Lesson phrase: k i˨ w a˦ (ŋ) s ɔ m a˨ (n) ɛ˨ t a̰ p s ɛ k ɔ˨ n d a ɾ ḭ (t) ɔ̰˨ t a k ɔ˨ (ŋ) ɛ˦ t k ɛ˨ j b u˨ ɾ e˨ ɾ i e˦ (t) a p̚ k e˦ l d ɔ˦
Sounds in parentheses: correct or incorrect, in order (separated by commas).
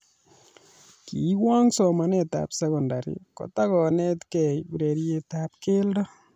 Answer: correct, correct, incorrect, incorrect, correct